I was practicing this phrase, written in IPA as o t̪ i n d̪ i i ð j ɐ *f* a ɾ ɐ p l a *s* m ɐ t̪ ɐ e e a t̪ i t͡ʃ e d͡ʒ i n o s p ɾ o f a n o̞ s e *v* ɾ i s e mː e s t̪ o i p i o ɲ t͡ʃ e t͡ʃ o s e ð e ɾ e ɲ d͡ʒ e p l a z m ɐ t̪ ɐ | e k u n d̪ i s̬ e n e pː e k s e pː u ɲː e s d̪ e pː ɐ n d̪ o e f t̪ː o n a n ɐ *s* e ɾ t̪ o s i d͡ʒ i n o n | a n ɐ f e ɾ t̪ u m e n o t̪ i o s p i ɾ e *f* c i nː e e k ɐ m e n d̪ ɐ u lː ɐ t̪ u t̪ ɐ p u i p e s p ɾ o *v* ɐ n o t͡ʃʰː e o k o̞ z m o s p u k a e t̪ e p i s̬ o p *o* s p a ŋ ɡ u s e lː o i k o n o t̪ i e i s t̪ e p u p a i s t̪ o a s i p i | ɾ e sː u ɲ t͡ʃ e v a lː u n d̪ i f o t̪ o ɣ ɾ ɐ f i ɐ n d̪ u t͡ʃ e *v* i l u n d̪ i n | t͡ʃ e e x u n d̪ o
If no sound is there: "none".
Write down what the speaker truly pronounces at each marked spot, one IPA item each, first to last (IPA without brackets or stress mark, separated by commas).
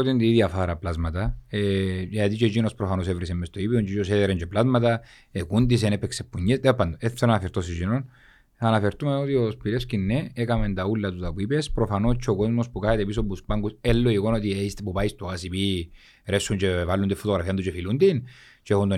f, z, v, f, s, f, u, f